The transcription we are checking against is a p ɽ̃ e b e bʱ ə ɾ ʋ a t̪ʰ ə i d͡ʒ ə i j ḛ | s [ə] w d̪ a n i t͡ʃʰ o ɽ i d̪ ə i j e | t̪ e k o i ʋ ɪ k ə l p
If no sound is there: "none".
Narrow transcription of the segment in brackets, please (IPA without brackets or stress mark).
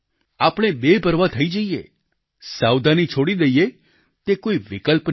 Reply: a